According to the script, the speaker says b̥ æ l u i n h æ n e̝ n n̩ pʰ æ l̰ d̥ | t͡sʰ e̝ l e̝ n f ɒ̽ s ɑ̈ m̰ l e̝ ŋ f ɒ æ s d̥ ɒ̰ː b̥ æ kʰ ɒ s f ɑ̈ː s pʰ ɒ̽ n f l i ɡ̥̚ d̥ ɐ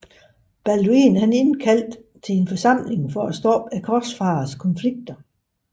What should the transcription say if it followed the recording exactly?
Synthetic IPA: b̥ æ l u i n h æ n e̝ n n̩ kʰ æ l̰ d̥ | t͡sʰ e̝ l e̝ n f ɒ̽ s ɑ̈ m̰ l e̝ ŋ f ɒ æ s d̥ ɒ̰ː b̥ æ kʰ ɒ s f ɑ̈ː s kʰ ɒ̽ n f l i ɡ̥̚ d̥ ɐ